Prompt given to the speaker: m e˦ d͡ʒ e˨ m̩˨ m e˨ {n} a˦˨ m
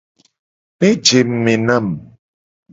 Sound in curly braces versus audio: correct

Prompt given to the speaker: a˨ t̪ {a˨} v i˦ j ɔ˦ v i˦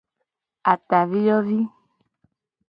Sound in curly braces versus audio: correct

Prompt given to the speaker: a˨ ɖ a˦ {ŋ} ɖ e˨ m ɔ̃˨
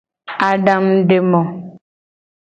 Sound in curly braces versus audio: incorrect: m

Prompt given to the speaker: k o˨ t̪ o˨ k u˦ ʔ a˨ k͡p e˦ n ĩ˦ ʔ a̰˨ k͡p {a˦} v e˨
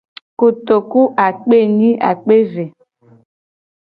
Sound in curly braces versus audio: incorrect: e˦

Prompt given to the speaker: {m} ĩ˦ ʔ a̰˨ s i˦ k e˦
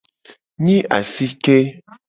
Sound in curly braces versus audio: incorrect: ɲ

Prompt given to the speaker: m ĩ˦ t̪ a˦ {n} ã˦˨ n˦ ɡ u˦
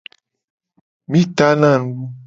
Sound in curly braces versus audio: correct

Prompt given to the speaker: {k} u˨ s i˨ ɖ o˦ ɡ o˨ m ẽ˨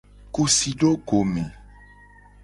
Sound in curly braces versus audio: correct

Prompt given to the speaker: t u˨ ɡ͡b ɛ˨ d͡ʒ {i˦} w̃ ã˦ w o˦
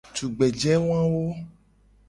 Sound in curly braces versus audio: incorrect: ɛ˦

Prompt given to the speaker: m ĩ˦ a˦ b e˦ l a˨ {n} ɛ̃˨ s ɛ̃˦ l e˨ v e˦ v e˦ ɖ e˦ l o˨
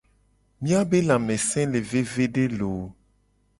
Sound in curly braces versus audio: incorrect: m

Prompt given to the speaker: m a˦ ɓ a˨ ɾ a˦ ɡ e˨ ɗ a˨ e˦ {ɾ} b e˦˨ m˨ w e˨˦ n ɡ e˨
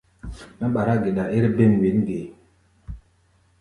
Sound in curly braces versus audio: correct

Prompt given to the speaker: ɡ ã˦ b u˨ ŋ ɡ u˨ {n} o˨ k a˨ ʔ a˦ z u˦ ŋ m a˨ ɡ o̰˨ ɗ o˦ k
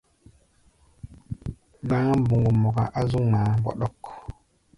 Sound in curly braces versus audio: incorrect: m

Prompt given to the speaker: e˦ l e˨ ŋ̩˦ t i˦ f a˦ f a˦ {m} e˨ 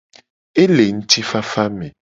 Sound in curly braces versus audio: correct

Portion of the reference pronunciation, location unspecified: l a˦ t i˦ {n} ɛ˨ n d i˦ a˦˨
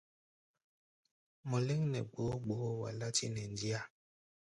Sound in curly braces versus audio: correct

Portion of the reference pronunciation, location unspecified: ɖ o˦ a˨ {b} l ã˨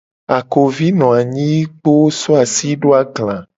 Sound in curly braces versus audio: incorrect: ɡ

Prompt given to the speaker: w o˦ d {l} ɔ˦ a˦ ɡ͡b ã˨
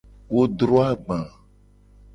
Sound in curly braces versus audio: incorrect: ɾ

